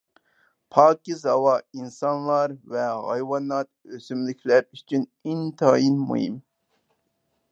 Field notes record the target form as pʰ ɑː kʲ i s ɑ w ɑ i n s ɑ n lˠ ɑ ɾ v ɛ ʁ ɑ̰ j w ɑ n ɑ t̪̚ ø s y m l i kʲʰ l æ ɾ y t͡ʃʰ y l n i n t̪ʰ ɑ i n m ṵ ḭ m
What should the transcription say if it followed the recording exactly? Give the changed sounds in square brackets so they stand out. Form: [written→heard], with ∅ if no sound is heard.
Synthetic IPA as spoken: pʰ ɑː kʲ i [s→z] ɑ w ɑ i n s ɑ n lˠ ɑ ɾ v ɛ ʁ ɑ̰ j w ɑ n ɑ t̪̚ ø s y m l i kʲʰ l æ ɾ y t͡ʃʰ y [l→∅] n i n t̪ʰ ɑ i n m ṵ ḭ m